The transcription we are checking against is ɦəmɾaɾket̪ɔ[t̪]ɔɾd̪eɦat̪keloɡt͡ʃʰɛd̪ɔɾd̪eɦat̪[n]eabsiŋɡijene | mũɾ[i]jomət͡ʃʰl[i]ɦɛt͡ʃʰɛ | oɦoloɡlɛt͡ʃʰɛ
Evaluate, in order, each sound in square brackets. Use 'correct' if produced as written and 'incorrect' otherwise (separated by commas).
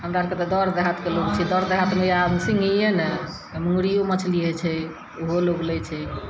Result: incorrect, incorrect, correct, correct